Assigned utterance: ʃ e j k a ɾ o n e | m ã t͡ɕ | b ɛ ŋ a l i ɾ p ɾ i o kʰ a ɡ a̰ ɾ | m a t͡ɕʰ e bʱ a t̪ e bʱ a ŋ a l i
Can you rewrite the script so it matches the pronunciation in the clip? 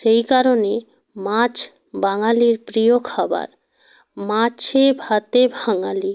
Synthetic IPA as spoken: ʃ e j k a ɾ o n e | m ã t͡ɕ | b a ŋ a l i ɾ p ɾ i o kʰ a b a̰ ɾ | m a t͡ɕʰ e bʱ a t̪ e bʱ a ŋ a l i